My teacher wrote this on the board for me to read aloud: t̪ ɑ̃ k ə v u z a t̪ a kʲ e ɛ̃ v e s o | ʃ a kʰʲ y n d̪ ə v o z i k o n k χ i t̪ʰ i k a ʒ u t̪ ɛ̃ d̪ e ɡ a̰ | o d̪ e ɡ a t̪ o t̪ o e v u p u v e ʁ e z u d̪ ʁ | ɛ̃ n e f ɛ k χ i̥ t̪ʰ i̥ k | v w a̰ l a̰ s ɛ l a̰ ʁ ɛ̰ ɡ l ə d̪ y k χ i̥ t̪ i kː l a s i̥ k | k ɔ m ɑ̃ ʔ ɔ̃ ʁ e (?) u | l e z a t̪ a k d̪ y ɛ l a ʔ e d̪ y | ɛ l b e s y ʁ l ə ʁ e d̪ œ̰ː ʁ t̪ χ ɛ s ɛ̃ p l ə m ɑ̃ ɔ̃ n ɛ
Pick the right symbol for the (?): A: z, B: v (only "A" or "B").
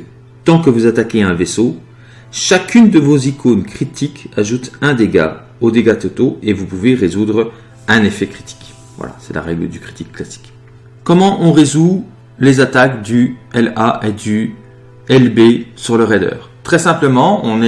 A